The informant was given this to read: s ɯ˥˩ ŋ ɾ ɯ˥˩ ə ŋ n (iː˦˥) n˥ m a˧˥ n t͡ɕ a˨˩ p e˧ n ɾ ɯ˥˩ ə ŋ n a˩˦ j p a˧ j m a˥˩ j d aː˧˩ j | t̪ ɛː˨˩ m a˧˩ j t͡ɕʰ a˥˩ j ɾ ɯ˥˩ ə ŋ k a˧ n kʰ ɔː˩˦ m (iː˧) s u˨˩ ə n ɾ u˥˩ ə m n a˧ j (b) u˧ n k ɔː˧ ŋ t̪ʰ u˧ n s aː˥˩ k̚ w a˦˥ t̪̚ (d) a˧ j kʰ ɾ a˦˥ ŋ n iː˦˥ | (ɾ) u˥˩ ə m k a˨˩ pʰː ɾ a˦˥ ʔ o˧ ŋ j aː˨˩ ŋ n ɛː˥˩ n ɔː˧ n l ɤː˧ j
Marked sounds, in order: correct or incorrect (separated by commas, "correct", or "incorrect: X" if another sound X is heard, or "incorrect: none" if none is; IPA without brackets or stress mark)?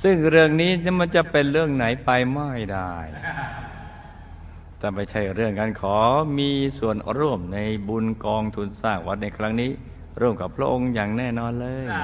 correct, correct, correct, incorrect: n, correct